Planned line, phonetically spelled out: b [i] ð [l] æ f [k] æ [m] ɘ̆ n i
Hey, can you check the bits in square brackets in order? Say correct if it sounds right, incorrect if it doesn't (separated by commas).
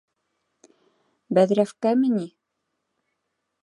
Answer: incorrect, incorrect, correct, correct